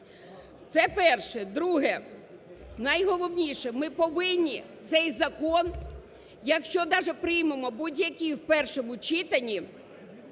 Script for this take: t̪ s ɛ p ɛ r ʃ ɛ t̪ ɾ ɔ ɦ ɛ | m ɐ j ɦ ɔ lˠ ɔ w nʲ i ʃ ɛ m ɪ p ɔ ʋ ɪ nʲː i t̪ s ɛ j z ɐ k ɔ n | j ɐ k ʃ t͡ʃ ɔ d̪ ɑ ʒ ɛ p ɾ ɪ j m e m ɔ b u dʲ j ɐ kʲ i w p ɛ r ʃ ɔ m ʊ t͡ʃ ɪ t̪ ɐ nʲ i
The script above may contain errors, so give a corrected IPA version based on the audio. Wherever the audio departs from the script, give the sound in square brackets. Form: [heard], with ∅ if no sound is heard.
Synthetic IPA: t̪ s ɛ p ɛ r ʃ ɛ [d̪] ɾ [u] ɦ ɛ | [n] ɐ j ɦ ɔ lˠ ɔ w nʲ i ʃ ɛ m ɪ p ɔ ʋ ɪ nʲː i t̪ s ɛ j z ɐ k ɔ n | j ɐ k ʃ t͡ʃ ɔ d̪ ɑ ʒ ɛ p ɾ ɪ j m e m ɔ b u dʲ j ɐ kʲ i w p ɛ r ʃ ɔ m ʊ t͡ʃ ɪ t̪ ɐ nʲ i